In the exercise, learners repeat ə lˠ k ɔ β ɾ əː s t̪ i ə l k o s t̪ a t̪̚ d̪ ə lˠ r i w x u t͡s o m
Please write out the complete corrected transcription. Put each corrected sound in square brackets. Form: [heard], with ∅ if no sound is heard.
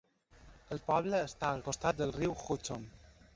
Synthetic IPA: ə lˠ [p] ɔ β [l] əː s t̪ [a] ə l k o s t̪ a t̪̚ d̪ ə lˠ r i w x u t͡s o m

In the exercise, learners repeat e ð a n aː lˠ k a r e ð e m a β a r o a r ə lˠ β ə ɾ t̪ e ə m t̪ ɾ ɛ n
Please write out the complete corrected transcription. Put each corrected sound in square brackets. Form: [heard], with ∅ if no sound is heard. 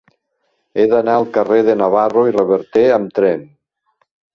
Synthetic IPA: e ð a n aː lˠ k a r e ð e [n] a β a r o [i] r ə [∅] β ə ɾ t̪ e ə m t̪ ɾ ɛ n

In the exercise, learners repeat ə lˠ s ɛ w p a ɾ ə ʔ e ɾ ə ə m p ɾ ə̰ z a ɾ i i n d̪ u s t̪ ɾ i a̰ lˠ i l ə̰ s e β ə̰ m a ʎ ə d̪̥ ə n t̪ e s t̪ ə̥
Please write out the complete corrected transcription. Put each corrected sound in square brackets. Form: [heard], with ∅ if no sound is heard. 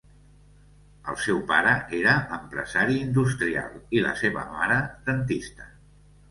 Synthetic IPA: ə lˠ s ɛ w p a ɾ ə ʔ e ɾ ə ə m p ɾ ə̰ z a ɾ i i n d̪ u s t̪ ɾ i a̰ lˠ i l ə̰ s e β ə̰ m a [ɾ] ə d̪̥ ə n t̪ [i] s t̪ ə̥

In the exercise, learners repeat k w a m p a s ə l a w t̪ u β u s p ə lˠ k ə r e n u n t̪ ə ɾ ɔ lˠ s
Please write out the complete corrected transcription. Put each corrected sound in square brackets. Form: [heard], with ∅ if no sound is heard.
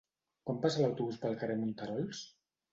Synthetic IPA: k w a m p a s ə l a w t̪ u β u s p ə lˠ k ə r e [m] u n t̪ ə ɾ ɔ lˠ s

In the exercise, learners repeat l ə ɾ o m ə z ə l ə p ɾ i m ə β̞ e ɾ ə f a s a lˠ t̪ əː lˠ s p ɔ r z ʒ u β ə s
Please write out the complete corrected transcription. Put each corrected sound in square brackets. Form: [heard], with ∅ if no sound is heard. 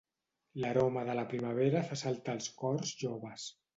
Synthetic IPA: l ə ɾ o m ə [ð] ə l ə p ɾ i m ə β̞ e ɾ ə f a s a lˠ t̪ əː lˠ s [k] ɔ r z ʒ [o] β ə s

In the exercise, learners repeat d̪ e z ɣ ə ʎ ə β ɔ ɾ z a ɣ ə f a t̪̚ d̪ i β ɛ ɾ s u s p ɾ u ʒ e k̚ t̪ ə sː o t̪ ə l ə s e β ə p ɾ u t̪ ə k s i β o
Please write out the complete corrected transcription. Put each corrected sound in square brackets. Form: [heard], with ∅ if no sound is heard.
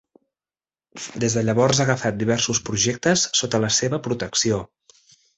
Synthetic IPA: d̪ e z [ð] ə ʎ ə β ɔ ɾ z a ɣ ə f a t̪̚ d̪ i β ɛ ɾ s u s p ɾ u ʒ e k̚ t̪ ə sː o t̪ ə l ə s e β ə p ɾ u t̪ ə k s i [∅] o

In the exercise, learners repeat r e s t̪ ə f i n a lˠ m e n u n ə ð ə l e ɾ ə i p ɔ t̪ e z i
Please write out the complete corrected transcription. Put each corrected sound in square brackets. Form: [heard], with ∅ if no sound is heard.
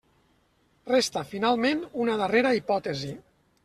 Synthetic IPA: r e s t̪ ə f i n a lˠ m e n u n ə ð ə [r] e ɾ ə i p ɔ t̪ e z i

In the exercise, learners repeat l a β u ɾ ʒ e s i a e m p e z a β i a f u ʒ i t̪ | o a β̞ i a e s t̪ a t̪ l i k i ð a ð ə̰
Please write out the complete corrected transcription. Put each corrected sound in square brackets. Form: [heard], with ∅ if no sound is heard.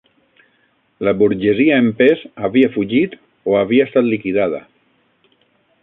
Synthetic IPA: l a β u ɾ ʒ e [z] i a e m p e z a β i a f u ʒ i t̪ | o a β̞ i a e s t̪ a t̪ l i k i ð a ð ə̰

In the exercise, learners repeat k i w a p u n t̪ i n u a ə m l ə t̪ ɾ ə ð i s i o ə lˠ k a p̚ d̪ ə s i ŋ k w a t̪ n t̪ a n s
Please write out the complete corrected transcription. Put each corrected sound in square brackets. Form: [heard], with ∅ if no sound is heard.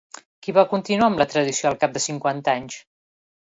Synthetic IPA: k i [β] a [k] u n t̪ i n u a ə m l ə t̪ ɾ ə ð i s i o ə lˠ k a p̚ d̪ ə s i ŋ k w a [∅] n t̪ a [ɲ] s

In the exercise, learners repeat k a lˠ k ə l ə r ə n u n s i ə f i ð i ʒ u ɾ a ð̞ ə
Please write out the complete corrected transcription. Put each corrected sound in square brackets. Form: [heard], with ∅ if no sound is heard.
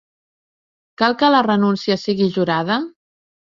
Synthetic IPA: k a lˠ k ə l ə r ə n u n s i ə [s] i [ɣ] i ʒ u ɾ a ð̞ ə

